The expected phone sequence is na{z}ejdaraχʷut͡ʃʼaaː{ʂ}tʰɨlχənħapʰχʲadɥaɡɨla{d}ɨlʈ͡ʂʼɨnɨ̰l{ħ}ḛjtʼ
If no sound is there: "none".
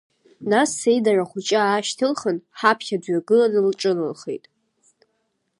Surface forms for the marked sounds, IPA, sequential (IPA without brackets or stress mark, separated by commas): s, ʃ, n, χ